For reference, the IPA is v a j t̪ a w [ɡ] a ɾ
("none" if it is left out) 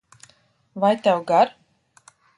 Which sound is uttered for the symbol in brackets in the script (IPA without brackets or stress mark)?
ɡ